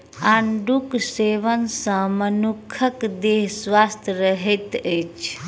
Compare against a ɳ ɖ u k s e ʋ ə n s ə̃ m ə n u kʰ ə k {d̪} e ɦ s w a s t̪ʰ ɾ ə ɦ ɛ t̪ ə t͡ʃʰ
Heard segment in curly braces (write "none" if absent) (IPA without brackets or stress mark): d̪